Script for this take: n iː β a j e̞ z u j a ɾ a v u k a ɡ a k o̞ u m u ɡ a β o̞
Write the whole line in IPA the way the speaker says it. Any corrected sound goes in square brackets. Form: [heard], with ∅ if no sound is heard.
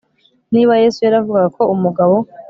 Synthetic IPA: n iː β a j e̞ [s] u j a ɾ a v u [ɡ] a ɡ a k o̞ u m u ɡ a β o̞